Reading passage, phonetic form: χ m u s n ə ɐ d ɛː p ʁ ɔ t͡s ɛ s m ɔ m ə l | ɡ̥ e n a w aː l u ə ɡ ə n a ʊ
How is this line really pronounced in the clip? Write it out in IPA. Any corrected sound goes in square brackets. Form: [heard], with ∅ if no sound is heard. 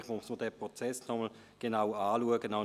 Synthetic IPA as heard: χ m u s [m] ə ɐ d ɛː p ʁ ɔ t͡s ɛ s [n] ɔ m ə l | ɡ̥ e n a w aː l u ə ɡ ə n a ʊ